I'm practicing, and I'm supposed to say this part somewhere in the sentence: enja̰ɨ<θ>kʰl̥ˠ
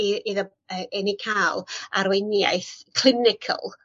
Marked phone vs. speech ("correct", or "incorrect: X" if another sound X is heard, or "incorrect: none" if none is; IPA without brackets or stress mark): correct